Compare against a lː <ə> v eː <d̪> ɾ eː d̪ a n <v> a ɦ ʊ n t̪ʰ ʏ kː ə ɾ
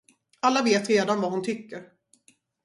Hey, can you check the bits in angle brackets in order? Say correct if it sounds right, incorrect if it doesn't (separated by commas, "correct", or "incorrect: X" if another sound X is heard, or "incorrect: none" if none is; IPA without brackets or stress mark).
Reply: incorrect: a, incorrect: t̪, correct